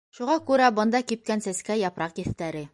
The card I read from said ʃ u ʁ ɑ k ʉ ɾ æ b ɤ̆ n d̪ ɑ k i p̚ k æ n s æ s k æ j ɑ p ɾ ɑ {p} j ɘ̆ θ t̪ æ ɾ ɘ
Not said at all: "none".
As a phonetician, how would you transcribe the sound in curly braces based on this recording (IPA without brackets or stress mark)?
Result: q